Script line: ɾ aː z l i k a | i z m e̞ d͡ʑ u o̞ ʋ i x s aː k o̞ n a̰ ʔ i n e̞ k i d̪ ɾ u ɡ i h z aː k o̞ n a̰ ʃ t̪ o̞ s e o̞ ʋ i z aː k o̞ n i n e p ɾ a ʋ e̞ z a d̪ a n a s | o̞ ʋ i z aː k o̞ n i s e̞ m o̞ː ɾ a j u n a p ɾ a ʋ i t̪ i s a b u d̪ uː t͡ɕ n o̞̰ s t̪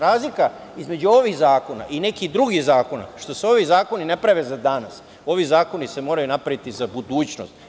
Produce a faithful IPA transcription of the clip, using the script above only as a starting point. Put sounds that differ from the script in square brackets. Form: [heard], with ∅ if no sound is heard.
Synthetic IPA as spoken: ɾ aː z l i k a | i z m e̞ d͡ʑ u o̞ ʋ i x [z] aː k o̞ n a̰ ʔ i n e̞ k i d̪ ɾ u ɡ i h z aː k o̞ n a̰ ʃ t̪ o̞ s e o̞ ʋ i z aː k o̞ n i n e p ɾ a ʋ e̞ z a d̪ a n a s | o̞ ʋ i z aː k o̞ n i s e̞ m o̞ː ɾ a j u n a p ɾ a ʋ i t̪ i [z] a b u d̪ uː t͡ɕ n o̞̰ s t̪